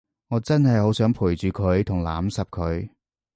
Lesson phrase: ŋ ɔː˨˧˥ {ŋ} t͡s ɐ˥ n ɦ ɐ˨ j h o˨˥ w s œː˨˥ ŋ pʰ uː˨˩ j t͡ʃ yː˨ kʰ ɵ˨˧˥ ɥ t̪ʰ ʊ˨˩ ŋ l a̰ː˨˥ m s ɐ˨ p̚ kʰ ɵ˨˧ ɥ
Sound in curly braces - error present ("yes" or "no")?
yes